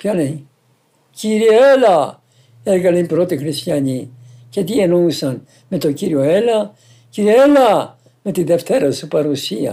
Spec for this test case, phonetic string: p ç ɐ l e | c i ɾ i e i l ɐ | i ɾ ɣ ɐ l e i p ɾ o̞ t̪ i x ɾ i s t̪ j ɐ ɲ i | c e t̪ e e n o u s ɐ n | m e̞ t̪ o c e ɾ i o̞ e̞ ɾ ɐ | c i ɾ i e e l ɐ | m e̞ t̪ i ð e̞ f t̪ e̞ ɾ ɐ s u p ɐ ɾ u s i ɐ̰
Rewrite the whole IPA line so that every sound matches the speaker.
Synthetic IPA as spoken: p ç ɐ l e | c i ɾ i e e l ɐ | e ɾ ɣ ɐ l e i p ɾ o̞ t̪ i x ɾ i s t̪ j ɐ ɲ i | c e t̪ i e n o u s ɐ n | m e̞ t̪ o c i ɾ i o̞ e̞ l ɐ | c i ɾ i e e l ɐ | m e̞ t̪ i ð e̞ f t̪ e̞ ɾ ɐ s u p ɐ ɾ u s i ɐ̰